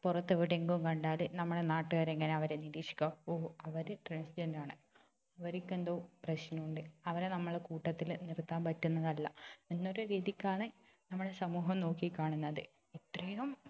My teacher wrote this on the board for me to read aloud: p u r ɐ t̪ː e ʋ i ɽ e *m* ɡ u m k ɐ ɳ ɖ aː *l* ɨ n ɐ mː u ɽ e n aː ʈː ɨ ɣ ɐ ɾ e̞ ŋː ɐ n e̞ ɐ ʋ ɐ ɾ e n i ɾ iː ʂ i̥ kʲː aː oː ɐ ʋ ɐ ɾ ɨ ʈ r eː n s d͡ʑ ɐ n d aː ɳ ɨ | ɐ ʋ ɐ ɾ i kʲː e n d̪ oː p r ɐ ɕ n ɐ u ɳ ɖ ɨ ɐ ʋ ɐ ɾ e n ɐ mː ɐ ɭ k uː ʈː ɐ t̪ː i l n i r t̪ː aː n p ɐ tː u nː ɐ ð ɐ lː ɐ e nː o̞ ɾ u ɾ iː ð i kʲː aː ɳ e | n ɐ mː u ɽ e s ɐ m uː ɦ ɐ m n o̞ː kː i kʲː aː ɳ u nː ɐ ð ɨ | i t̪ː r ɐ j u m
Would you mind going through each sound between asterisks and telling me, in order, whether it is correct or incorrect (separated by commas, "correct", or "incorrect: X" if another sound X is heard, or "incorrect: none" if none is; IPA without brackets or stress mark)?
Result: incorrect: ŋ, correct